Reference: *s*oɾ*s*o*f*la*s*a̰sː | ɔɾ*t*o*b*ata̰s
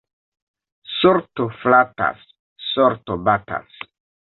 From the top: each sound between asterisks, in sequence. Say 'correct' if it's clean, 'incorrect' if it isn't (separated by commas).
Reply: correct, incorrect, correct, incorrect, correct, correct